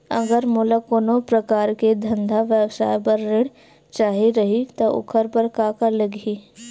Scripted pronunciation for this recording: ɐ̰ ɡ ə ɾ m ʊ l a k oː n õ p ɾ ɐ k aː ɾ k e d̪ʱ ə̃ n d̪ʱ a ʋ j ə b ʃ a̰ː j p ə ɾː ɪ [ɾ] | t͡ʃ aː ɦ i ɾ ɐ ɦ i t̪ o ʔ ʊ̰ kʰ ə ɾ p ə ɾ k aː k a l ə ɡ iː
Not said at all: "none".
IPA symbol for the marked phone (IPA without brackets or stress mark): ɽ